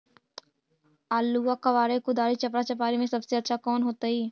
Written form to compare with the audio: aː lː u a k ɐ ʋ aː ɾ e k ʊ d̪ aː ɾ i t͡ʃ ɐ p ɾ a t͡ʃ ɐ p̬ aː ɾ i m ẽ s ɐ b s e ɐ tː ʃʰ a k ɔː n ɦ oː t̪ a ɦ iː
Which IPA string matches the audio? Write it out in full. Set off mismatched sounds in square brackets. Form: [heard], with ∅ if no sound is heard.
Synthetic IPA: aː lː u a k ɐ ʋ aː ɾ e k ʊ d̪ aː ɾ i t͡ʃ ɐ p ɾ a t͡ʃ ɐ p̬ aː ɾ i m ẽ s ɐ b s e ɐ tː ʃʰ a k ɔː n ɦ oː t̪ a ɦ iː

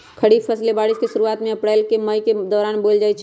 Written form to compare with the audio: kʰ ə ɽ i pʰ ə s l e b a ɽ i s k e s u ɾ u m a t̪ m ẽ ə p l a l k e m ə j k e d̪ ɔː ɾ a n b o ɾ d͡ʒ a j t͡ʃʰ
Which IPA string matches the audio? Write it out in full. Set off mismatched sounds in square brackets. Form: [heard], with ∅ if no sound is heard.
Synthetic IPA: kʰ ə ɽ i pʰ ə s l e b a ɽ i s k e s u ɾ u [∅] a t̪ m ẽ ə p [ɽ] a l k e m ə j k e d̪ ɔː ɾ a n b o [l] d͡ʒ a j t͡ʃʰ

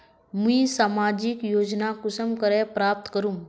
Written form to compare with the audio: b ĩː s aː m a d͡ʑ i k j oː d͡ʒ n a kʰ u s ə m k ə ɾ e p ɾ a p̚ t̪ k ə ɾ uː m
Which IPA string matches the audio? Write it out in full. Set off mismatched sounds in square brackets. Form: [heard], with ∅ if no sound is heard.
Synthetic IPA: [m] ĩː s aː m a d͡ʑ i k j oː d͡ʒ n a [k] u s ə m k ə ɾ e p ɾ a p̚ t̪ k ə ɾ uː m

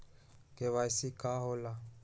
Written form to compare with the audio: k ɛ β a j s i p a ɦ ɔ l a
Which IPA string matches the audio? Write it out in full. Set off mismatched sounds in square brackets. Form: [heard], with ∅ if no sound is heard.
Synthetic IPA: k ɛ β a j s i [k] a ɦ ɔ l a

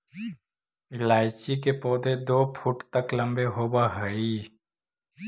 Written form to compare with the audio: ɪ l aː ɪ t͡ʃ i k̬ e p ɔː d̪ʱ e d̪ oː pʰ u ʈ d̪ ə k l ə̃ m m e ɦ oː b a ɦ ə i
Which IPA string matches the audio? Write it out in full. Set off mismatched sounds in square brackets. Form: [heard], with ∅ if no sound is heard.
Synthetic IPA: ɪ l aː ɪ t͡ʃ i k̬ e p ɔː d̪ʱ e d̪ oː pʰ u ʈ [t̪] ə k l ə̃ m [b] e ɦ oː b a ɦ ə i

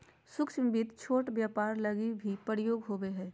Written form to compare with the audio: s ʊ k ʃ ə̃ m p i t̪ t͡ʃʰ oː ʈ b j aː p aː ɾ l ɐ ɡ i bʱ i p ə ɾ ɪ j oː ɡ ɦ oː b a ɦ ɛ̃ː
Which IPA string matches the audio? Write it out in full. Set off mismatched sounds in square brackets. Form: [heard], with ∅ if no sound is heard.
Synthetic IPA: s ʊ k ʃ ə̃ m [b] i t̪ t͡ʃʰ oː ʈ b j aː p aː ɾ l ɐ ɡ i bʱ i p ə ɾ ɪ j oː ɡ ɦ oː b [e] ɦ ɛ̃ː

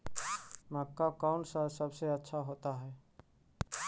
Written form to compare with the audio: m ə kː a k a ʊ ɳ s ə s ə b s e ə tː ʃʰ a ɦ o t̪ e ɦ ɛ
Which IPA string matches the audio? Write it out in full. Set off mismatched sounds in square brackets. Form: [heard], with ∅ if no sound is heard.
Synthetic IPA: m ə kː a k a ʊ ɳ s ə s ə b s e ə tː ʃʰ a ɦ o t̪ [a] ɦ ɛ

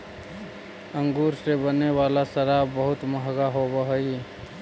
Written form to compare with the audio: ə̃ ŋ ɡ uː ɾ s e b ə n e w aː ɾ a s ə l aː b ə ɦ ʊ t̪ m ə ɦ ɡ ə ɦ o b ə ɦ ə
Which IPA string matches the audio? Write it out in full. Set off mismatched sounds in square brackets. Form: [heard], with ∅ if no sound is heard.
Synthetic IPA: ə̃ ŋ ɡ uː ɾ s e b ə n e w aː [l] a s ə [ɾ] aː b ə ɦ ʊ t̪ m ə ɦ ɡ [a] ɦ o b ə ɦ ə

